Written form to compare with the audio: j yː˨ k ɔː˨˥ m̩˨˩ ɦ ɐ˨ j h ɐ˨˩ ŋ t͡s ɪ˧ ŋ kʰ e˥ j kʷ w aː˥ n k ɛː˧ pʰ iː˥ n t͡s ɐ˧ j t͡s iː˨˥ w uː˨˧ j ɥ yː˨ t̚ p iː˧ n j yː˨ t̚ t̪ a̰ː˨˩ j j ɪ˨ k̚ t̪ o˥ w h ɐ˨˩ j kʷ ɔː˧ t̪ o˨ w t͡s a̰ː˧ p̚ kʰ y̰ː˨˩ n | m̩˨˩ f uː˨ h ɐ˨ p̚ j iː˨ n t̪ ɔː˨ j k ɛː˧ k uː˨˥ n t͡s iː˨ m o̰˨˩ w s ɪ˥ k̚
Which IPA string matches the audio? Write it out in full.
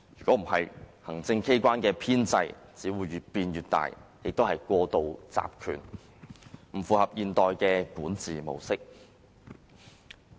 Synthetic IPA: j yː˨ k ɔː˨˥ m̩˨˩ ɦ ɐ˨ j h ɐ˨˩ ŋ t͡s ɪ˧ ŋ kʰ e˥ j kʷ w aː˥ n k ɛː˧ pʰ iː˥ n t͡s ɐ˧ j t͡s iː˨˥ w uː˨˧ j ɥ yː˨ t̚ p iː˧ n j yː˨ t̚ t̪ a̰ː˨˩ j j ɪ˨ k̚ t̪ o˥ w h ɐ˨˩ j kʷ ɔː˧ t̪ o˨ w t͡s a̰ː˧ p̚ kʰ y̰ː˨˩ n | m̩˨˩ f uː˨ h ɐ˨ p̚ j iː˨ n t̪ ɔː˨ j k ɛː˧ k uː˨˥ n t͡s iː˨ m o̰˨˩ w s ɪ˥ k̚

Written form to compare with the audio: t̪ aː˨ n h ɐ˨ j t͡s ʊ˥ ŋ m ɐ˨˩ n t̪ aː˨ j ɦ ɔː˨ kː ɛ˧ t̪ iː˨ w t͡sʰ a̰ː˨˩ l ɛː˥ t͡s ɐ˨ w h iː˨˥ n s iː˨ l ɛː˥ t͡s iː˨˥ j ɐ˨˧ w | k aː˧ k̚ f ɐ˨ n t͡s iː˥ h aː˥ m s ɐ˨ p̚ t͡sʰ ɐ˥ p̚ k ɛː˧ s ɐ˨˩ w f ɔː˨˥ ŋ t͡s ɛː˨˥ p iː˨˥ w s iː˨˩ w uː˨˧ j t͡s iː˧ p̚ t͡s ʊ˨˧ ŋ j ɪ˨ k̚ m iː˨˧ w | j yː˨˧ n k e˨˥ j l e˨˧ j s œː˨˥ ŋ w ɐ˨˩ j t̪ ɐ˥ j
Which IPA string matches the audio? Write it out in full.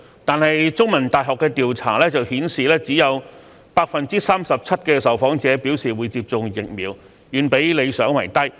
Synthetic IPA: t̪ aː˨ n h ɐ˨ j t͡s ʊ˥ ŋ m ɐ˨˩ n t̪ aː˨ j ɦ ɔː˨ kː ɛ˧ t̪ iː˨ w t͡sʰ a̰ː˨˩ l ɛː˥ t͡s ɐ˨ w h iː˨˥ n s iː˨ l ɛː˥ t͡s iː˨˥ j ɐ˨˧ w | p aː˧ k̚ f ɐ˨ n t͡s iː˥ s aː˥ m s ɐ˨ p̚ t͡sʰ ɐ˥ t̚ k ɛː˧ s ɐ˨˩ w f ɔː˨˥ ŋ t͡s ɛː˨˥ p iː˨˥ w s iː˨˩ w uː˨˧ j t͡s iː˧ p̚ t͡s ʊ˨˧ ŋ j ɪ˨ k̚ m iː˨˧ w | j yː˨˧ n p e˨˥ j l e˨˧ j s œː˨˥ ŋ w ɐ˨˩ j t̪ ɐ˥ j

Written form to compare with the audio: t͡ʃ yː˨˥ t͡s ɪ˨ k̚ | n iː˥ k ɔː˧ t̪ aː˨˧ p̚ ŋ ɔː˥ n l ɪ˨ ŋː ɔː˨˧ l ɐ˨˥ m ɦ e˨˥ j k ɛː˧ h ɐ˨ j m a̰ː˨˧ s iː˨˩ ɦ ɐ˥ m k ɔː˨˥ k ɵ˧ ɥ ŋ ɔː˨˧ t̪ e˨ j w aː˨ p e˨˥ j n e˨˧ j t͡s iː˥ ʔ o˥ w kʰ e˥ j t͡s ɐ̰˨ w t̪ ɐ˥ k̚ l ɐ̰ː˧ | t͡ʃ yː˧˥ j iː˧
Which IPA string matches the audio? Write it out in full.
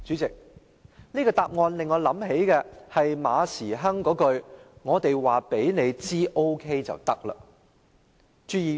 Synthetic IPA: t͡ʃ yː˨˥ t͡s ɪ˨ k̚ | n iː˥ k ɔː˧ t̪ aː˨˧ p̚ ŋ ɔː˧ n l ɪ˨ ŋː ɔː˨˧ l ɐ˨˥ m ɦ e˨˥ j k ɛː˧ h ɐ˨ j m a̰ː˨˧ s iː˨˩ ɦ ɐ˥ ŋ k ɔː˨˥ k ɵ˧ ɥ ŋ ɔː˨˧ t̪ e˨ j w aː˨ p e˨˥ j n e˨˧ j t͡s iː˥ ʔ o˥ w kʰ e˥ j t͡s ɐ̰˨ w t̪ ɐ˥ k̚ l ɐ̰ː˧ | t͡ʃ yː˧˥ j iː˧

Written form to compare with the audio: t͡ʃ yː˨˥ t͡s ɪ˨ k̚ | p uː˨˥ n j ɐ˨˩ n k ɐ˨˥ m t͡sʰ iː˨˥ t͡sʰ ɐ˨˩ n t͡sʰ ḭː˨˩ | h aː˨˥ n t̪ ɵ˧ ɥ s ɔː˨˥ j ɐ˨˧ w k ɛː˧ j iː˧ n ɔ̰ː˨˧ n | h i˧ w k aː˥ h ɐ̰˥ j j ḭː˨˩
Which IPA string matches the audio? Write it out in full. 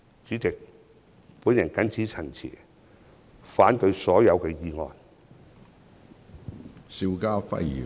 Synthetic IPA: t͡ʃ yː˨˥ t͡s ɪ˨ k̚ | p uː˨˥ n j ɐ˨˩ n k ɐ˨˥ n t͡sʰ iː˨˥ t͡sʰ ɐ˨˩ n t͡sʰ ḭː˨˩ | f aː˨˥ n t̪ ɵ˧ ɥ s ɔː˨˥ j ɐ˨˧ w k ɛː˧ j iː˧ ŋ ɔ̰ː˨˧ n | s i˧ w k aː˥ f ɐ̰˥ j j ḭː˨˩

